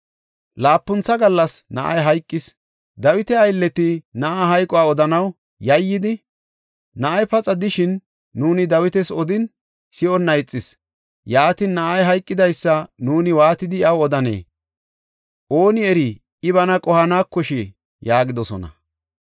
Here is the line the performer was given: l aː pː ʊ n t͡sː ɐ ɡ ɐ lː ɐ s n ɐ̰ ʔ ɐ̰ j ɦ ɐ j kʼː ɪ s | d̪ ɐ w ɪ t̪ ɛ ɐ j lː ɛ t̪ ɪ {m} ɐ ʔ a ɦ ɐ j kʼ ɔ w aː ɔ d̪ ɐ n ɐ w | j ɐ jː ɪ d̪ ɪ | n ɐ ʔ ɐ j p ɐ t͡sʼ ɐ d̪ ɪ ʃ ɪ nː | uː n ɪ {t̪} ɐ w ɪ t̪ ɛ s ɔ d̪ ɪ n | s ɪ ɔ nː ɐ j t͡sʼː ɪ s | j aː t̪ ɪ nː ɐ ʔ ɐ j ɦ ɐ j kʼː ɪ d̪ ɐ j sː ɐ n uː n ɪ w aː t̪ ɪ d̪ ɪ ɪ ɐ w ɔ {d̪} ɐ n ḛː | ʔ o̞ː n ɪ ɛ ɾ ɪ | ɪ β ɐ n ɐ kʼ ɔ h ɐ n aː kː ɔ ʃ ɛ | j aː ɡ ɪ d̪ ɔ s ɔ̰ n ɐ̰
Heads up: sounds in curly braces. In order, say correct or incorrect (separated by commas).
incorrect, incorrect, correct